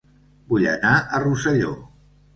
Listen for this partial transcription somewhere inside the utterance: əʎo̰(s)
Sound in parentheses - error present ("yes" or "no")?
yes